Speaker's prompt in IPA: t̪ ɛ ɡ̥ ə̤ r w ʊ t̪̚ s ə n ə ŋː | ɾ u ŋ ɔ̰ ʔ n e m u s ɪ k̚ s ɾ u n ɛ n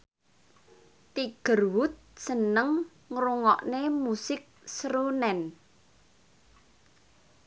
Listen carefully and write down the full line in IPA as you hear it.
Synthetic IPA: t̪ i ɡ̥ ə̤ r w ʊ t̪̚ s ə n ə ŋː | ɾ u ŋ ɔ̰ ʔ n e m u s ɪ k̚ s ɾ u n ɛ n